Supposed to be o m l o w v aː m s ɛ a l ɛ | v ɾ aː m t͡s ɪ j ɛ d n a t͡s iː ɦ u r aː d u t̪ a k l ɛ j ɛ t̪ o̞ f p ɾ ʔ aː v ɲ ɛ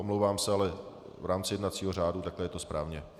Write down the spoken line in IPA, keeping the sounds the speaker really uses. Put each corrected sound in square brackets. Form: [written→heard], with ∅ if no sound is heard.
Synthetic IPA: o m l o w v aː m s ɛ a l ɛ | v ɾ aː m t͡s ɪ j ɛ d n a t͡s iː ɦ [u→o] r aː d u t̪ a k l ɛ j ɛ t̪ o̞ [f→s] p ɾ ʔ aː v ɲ ɛ